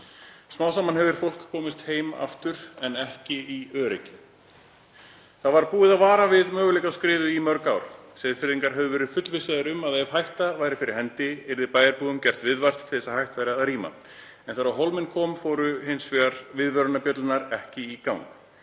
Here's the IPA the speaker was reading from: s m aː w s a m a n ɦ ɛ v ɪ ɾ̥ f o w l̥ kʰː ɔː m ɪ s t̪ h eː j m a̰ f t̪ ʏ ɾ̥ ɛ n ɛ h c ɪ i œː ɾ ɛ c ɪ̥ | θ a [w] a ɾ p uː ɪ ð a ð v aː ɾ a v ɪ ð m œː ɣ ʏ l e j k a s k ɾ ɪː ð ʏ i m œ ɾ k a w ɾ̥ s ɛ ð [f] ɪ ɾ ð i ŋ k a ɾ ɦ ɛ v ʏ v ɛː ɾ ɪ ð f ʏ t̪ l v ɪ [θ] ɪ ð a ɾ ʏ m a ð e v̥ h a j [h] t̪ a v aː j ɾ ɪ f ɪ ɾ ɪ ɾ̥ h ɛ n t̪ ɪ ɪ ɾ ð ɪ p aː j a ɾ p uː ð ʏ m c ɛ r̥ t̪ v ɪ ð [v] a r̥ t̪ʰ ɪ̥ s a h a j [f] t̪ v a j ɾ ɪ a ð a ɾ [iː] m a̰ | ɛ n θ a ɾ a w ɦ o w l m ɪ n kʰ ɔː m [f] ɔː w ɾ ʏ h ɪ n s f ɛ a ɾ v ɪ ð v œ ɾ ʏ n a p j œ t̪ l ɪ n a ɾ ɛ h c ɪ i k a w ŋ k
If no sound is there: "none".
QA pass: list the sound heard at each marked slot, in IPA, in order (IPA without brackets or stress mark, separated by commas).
v, f, s, h, v, h, iː, f